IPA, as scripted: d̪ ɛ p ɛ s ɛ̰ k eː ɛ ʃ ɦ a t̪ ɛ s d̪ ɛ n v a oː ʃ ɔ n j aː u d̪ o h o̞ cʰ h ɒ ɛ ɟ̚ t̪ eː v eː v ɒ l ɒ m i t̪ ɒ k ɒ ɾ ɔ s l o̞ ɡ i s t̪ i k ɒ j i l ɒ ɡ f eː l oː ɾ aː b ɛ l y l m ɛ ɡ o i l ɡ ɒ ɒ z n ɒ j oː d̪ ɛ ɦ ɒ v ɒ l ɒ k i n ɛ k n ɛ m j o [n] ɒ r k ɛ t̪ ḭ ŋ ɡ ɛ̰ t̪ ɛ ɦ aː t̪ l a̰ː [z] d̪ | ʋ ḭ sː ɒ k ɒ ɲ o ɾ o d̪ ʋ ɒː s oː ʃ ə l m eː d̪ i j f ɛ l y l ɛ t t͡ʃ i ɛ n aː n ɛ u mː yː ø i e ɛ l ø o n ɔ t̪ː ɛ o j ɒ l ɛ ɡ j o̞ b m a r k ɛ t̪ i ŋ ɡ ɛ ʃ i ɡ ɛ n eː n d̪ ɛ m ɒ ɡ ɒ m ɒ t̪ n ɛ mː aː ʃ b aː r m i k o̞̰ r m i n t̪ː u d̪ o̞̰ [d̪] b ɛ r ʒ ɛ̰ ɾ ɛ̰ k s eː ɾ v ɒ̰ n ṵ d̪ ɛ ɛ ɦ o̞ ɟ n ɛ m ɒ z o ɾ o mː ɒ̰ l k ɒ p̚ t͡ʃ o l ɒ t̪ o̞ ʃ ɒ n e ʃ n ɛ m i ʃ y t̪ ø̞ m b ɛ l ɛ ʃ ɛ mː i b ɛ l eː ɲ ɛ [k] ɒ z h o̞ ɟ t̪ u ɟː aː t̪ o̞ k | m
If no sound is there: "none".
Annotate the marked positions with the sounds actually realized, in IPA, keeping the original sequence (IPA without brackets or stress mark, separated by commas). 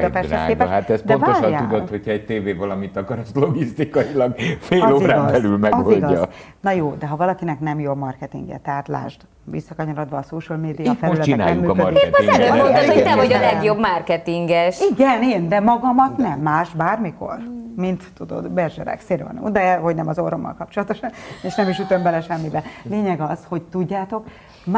m, ʒ, d̪, ɡ